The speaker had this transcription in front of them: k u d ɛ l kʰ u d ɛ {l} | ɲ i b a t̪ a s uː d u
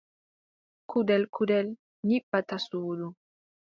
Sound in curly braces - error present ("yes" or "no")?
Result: no